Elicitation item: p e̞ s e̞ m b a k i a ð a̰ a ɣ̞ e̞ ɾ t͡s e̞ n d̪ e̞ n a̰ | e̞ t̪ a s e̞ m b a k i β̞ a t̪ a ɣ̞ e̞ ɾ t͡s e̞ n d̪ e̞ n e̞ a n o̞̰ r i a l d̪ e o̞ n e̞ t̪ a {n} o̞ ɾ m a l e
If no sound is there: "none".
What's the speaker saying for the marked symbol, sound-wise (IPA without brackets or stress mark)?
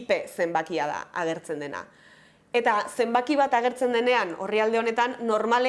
nː